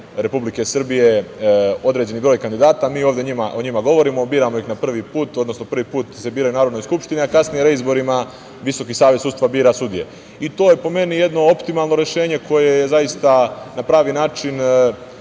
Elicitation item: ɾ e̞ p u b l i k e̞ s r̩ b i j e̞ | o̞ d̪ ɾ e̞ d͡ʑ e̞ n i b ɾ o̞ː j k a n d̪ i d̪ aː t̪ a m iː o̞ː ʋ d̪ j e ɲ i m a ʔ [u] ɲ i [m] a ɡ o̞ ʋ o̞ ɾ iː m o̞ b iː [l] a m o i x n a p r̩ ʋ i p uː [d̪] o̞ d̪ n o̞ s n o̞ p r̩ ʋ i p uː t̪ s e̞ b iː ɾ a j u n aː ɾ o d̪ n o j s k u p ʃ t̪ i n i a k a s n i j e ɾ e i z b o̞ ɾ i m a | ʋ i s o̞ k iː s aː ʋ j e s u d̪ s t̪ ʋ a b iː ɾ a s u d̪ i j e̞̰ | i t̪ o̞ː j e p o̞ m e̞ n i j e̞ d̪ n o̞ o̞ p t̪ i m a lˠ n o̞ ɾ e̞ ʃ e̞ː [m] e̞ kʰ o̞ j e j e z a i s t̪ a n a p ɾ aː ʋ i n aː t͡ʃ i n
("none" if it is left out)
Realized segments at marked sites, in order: o, m, ɾ, t̪, ɲ

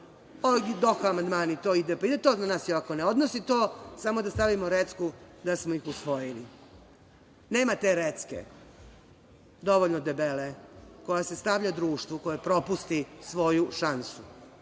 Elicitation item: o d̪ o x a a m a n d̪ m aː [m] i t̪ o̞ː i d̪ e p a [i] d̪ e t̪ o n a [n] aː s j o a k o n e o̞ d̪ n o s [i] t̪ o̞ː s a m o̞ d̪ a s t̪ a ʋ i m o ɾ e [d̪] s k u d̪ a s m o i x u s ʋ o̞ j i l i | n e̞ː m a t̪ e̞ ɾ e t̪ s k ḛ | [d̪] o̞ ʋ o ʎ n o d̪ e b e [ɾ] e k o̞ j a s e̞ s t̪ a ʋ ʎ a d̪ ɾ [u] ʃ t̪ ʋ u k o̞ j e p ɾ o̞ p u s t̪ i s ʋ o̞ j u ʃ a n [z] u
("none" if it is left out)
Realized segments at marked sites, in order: n, i, n, i, t̪, d̪, l, uː, s

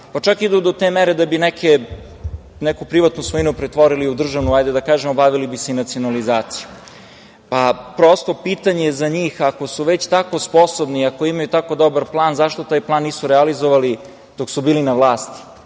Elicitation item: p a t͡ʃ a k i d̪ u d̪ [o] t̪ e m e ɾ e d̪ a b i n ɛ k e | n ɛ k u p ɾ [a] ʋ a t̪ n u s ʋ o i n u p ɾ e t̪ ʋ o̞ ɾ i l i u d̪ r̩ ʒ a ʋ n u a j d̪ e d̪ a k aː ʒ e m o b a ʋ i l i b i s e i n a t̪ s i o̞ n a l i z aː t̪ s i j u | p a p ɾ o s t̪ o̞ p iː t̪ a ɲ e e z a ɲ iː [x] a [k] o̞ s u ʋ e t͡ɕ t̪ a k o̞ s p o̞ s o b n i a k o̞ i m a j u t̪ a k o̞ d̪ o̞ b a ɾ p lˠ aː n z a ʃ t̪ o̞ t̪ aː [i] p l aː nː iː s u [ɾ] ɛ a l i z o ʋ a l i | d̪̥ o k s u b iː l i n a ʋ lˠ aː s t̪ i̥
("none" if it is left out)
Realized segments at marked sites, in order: o, i, x, k, j, ɾ

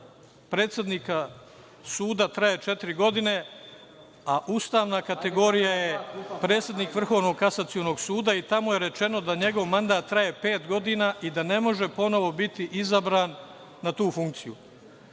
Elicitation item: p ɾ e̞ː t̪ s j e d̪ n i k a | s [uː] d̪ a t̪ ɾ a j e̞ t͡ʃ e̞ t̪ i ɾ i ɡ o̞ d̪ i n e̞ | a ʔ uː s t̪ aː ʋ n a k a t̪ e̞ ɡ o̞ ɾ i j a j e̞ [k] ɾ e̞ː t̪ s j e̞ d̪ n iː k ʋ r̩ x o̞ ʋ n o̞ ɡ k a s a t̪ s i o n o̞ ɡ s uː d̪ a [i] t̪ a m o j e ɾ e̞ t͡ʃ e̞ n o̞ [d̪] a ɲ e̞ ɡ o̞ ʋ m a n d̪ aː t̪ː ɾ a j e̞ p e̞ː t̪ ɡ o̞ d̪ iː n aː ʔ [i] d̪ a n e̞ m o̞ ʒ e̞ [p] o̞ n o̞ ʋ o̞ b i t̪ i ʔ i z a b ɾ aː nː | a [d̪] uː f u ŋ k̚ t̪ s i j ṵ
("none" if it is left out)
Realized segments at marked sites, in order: uː, p, i, d̪, i, p, t̪

